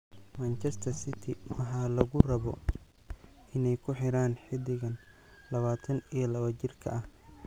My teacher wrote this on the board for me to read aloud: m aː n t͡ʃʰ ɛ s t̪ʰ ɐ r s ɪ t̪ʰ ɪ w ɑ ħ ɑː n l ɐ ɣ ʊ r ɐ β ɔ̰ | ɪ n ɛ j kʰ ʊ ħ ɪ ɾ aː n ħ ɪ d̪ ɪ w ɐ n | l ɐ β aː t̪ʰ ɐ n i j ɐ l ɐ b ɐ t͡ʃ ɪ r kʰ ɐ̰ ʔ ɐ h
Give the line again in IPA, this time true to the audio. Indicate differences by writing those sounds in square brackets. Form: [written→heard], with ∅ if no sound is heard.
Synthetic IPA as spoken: m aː n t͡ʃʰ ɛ s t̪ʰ ɐ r s ɪ t̪ʰ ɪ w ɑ ħ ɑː [n→∅] l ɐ ɣ ʊ r ɐ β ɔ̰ | ɪ n ɛ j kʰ ʊ ħ ɪ ɾ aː n ħ ɪ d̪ ɪ [w→ɣ] ɐ n | l ɐ β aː t̪ʰ ɐ n i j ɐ l ɐ [b→β] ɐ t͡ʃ ɪ r kʰ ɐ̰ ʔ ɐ h

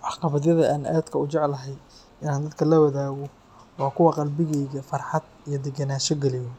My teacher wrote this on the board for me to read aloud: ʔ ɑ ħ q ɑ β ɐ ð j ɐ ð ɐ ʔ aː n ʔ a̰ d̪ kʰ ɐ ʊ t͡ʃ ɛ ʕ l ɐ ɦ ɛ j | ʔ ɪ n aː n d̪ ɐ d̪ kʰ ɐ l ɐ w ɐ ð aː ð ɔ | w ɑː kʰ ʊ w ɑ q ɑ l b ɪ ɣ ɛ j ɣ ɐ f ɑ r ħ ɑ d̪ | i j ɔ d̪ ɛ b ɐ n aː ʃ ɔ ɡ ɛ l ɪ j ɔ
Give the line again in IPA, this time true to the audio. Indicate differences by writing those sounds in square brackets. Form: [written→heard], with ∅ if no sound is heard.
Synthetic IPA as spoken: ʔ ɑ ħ q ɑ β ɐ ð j ɐ ð ɐ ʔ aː n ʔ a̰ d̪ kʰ ɐ ʊ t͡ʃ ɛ ʕ l ɐ ɦ ɛ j | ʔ ɪ n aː n d̪ ɐ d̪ kʰ ɐ l ɐ w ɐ ð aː [ð→ɣ] ɔ | w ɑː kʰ ʊ w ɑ q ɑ l b ɪ ɣ ɛ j ɣ ɐ f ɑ r ħ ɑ d̪ | i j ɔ d̪ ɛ [b→ɡ] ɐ n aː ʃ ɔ ɡ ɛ l ɪ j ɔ

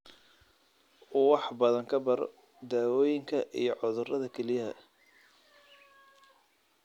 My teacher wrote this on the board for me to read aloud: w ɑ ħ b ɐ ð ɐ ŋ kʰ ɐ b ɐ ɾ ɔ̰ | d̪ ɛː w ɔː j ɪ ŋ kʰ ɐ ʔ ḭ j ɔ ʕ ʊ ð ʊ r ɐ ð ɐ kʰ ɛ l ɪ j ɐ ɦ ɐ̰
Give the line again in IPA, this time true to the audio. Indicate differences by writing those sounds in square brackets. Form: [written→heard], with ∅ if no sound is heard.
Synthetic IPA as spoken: w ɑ ħ b ɐ ð ɐ ŋ kʰ ɐ b ɐ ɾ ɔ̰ | d̪ [ɛː→aː] w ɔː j ɪ ŋ kʰ ɐ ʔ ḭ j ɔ ʕ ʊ ð ʊ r ɐ ð ɐ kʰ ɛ l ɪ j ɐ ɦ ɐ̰

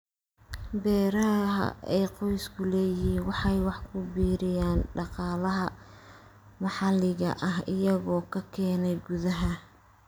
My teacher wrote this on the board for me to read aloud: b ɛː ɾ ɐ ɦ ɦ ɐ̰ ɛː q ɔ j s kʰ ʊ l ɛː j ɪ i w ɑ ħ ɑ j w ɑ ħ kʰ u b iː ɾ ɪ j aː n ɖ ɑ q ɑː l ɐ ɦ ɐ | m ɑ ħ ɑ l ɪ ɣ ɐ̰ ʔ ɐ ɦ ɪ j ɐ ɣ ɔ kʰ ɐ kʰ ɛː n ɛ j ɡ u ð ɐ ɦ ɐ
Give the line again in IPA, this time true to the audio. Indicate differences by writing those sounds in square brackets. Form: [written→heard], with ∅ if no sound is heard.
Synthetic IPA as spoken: b ɛː ɾ ɐ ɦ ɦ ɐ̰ ɛː q ɔ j s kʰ ʊ l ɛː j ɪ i w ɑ ħ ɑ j w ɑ ħ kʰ [u→ʊ] b iː ɾ ɪ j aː n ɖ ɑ q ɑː l ɐ ɦ ɐ | m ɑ ħ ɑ l ɪ ɣ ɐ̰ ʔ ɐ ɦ ɪ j ɐ ɣ [ɔ→ɔː] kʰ ɐ kʰ ɛː n ɛ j ɡ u ð ɐ ɦ ɐ

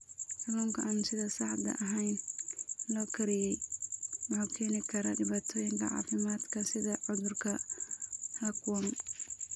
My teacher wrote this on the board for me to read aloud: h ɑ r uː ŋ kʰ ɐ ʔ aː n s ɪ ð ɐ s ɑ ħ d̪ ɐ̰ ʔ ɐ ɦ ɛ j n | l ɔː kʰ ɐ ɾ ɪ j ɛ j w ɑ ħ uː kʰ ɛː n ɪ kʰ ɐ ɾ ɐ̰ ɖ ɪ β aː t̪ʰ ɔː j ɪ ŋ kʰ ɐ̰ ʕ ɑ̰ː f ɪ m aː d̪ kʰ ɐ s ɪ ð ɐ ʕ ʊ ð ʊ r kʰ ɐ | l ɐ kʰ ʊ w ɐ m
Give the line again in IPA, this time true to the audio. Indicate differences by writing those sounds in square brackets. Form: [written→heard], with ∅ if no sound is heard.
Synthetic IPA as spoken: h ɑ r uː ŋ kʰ ɐ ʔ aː n s ɪ ð ɐ s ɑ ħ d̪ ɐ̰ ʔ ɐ ɦ ɛ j n | l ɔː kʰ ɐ ɾ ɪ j ɛ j w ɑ ħ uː kʰ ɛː n ɪ kʰ ɐ ɾ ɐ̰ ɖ ɪ β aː t̪ʰ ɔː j ɪ ŋ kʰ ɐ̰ ʕ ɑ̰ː f ɪ m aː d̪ kʰ ɐ s ɪ ð ɐ ʕ ʊ ð ʊ r kʰ ɐ | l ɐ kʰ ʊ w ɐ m

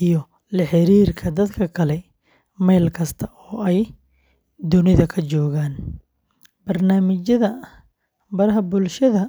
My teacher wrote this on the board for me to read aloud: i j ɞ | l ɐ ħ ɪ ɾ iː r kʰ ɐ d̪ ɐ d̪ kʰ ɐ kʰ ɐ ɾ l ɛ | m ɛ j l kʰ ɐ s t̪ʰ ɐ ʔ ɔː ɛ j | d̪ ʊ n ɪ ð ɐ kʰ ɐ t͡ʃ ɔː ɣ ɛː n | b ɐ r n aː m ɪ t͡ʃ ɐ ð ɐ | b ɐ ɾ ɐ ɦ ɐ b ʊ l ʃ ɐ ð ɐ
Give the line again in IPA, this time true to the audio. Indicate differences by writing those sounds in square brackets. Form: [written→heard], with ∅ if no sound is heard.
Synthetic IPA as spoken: i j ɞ | l ɐ ħ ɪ ɾ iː r kʰ ɐ d̪ ɐ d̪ kʰ ɐ kʰ ɐ [ɾ→∅] l ɛ | m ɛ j l kʰ ɐ s t̪ʰ ɐ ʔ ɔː ɛ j | d̪ ʊ n ɪ ð ɐ kʰ ɐ t͡ʃ ɔː ɣ [ɛː→aː] n | b ɐ r n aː m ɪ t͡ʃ ɐ ð ɐ | b ɐ ɾ ɐ ɦ ɐ b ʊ l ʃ ɐ ð ɐ

